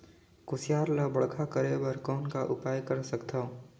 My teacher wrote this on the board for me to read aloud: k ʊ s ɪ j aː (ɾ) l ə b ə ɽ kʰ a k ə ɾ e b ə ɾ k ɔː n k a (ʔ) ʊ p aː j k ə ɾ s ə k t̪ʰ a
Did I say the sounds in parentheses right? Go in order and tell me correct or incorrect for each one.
correct, correct

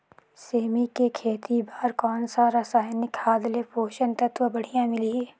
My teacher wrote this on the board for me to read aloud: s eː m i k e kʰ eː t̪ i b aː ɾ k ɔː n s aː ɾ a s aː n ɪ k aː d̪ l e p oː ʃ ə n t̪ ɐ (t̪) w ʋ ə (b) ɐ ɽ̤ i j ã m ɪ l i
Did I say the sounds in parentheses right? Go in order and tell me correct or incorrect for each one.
correct, correct

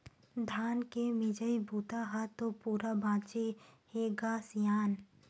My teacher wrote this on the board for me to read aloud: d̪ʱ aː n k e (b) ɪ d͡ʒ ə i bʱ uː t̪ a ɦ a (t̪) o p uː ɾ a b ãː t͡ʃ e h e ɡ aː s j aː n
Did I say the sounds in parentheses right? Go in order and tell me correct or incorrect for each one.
incorrect: m, correct

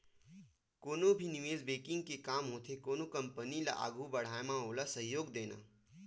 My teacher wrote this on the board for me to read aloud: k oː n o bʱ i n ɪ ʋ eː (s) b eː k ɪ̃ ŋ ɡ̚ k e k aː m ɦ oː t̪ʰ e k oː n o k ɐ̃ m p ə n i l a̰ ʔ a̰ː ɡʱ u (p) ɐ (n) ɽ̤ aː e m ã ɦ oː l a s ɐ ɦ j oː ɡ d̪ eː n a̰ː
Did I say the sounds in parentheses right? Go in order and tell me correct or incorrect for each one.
incorrect: z, incorrect: b, incorrect: none

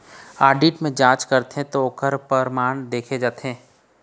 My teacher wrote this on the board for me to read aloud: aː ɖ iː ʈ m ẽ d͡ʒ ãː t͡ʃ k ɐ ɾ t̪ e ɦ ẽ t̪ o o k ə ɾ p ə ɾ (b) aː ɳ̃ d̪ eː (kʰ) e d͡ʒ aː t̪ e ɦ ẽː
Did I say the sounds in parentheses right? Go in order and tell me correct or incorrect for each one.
incorrect: m, correct

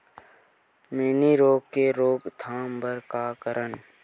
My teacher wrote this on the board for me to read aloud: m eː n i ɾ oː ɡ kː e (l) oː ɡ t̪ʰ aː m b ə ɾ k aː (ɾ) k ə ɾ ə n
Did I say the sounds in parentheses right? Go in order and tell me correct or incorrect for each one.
incorrect: ɾ, incorrect: none

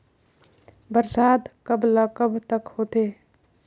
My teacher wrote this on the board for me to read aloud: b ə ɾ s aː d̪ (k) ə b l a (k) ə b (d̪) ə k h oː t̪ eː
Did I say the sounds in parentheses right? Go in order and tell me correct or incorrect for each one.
correct, correct, incorrect: t̪

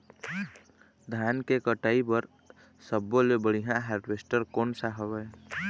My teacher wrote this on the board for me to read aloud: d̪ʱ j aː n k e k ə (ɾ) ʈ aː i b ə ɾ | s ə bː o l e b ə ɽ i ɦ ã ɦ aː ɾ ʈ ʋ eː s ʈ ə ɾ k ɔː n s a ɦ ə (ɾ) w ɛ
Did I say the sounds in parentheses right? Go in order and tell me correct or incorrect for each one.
incorrect: none, incorrect: none

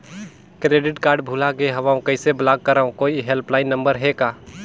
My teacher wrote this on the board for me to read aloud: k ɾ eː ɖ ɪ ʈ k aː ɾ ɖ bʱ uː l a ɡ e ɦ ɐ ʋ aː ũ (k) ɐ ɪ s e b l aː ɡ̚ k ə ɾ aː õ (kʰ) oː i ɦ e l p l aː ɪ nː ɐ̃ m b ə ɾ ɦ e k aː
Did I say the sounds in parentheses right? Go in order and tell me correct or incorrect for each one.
correct, incorrect: k

